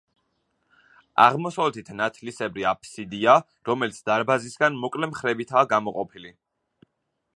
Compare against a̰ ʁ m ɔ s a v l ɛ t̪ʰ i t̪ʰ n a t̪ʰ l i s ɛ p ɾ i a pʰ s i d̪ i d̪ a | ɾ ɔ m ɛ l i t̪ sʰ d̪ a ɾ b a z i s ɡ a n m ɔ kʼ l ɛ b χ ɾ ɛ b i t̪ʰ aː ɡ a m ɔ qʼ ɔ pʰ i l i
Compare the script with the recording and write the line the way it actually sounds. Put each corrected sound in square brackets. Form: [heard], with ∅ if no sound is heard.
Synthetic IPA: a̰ ʁ m ɔ s a v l ɛ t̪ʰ i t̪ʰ n a t̪ʰ l i s ɛ [b] ɾ i a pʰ s i d̪ i [∅] a | ɾ ɔ m ɛ l i t̪ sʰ d̪ a ɾ b a z i s ɡ a n m ɔ kʼ l ɛ [m] χ ɾ ɛ b i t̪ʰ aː ɡ a m ɔ qʼ ɔ pʰ i l i